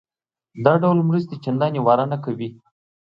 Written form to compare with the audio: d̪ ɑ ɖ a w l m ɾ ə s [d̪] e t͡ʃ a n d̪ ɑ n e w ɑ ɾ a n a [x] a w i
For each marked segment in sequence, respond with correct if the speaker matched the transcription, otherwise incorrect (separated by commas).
incorrect, incorrect